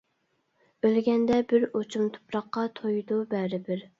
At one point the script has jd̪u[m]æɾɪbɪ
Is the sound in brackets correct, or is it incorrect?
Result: incorrect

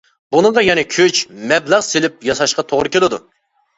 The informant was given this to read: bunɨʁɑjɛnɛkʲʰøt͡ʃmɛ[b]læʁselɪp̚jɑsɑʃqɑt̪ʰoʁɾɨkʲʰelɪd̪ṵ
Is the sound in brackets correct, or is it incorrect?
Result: correct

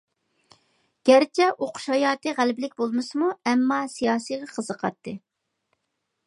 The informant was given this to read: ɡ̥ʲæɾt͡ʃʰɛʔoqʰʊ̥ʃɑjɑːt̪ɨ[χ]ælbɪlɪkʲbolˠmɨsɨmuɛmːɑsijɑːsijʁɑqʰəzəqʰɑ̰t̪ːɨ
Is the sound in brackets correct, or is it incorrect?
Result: incorrect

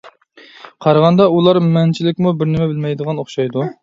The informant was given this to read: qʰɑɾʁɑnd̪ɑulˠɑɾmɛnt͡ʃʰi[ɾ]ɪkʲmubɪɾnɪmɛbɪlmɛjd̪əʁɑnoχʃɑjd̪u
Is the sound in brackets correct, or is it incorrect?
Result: incorrect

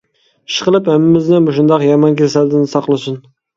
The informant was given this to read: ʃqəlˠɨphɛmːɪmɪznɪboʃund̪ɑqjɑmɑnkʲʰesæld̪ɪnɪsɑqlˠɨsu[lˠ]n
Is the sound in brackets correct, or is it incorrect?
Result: incorrect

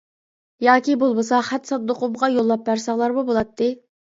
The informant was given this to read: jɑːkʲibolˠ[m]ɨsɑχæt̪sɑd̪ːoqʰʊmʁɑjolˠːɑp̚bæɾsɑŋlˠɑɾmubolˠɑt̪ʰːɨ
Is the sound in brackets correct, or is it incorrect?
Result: incorrect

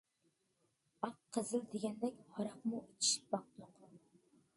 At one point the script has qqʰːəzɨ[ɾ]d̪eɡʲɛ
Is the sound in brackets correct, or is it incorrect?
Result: incorrect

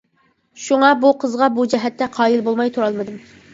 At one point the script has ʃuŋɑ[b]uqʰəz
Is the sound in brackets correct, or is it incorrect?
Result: correct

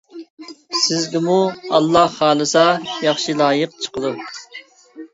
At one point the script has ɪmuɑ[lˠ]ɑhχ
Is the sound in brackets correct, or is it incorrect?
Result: incorrect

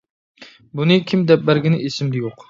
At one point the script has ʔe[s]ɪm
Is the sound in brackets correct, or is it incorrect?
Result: correct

